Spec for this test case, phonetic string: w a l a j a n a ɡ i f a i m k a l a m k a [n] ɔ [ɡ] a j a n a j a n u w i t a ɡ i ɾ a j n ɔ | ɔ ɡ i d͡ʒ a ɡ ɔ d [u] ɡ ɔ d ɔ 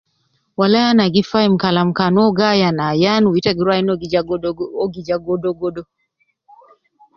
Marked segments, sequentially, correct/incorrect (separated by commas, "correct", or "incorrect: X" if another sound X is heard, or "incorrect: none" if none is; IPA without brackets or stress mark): correct, correct, incorrect: ɔ